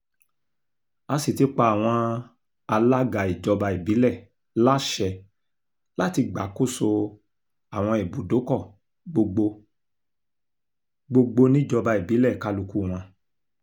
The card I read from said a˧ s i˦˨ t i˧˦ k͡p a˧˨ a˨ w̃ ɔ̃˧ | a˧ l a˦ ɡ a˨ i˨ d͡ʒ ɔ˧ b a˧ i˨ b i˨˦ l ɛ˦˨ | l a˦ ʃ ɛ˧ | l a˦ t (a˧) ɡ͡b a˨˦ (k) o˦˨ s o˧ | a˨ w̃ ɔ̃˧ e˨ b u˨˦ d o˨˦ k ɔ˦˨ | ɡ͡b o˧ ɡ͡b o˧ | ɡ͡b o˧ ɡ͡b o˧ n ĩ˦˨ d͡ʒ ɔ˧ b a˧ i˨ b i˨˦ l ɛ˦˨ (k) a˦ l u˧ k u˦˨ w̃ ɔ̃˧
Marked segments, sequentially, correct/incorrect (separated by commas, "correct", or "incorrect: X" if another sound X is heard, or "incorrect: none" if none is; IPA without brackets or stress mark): incorrect: i˧, correct, correct